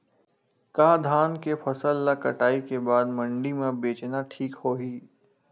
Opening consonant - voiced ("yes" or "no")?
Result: no